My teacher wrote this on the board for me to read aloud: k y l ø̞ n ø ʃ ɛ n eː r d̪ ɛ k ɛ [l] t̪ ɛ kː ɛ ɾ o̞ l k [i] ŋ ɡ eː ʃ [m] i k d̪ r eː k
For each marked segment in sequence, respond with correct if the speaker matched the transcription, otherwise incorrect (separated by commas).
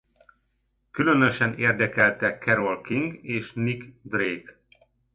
correct, correct, incorrect